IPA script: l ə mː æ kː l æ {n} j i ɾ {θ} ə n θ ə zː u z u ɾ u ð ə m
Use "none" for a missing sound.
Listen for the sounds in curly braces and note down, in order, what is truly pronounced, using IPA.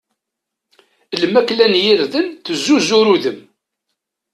n, ð

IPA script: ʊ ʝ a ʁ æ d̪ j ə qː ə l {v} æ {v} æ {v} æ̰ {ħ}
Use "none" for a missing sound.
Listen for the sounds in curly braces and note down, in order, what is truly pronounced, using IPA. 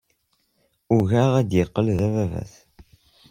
ð, v, v, θ

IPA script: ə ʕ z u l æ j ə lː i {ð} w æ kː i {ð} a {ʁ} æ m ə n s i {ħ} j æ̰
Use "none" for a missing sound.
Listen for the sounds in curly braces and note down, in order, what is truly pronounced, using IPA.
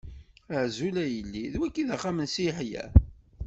ð, ð, χ, ħ

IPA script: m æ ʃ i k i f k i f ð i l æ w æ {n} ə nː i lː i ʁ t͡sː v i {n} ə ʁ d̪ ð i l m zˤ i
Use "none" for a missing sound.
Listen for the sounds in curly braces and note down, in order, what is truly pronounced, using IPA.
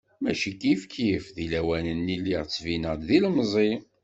n, n

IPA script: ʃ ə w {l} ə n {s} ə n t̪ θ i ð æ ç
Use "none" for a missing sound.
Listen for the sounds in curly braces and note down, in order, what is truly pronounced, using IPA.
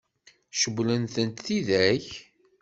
l, θ

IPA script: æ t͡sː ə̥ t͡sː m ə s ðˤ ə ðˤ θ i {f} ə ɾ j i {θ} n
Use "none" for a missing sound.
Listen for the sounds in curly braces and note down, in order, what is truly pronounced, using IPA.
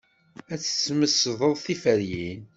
f, none

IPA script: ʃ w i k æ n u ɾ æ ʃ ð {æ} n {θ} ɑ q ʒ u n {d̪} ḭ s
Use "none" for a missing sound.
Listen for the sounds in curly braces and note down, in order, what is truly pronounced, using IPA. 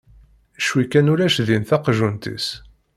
i, θ, t̪

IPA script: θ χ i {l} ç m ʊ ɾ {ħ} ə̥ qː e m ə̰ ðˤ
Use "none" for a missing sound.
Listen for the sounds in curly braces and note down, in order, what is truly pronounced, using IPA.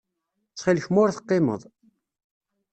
l, θ

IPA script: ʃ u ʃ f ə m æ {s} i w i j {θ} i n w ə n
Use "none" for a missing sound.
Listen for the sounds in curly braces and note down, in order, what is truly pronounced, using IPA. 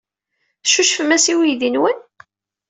s, ð

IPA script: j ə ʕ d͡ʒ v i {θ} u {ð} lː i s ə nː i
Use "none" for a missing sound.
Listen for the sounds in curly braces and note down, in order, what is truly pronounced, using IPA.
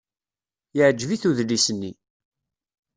θ, ð

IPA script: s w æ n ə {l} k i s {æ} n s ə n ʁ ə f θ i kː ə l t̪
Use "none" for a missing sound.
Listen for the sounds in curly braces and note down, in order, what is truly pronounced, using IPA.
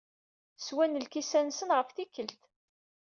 l, æ

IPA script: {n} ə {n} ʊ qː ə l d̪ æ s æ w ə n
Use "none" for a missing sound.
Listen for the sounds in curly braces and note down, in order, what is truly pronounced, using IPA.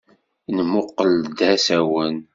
n, m

